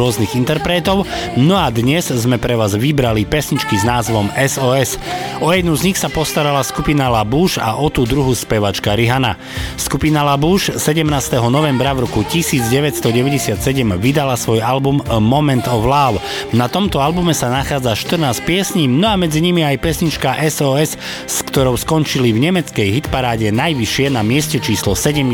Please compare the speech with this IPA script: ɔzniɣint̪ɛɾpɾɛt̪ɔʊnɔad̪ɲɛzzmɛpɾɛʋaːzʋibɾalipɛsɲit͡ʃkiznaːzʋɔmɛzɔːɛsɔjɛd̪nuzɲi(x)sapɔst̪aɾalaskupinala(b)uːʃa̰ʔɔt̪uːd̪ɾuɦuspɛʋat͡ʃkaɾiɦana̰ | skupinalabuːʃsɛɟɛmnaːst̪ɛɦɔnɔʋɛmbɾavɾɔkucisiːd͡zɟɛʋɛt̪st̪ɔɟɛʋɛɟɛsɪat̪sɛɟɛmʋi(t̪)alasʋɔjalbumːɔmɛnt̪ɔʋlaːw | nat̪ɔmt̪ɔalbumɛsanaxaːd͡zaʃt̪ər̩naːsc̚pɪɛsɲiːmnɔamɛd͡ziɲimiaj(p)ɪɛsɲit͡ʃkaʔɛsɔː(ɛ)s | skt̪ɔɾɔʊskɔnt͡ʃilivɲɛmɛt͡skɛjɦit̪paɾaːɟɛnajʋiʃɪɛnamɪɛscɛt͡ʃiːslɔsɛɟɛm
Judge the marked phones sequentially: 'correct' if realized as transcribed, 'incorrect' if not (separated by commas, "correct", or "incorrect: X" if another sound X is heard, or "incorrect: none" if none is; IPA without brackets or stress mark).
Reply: correct, correct, incorrect: d̪, correct, correct